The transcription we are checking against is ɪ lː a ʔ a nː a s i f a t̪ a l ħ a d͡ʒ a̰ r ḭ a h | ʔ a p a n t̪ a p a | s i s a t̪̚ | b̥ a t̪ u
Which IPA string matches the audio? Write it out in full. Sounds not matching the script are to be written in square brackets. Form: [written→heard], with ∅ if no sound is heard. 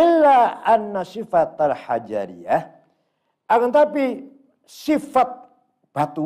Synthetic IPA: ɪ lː a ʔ a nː a s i f a t̪ a l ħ a d͡ʒ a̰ [r→ɾ] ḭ a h | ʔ a [p→k] a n t̪ a p [a→i] | s i [s→f] a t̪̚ | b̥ a t̪ u